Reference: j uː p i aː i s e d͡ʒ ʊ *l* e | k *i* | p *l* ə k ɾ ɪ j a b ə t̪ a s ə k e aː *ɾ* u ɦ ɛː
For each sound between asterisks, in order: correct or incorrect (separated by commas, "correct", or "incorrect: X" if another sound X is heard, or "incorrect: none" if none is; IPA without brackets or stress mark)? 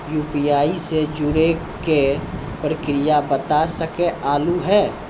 incorrect: ɾ, incorrect: e, incorrect: ɾ, incorrect: l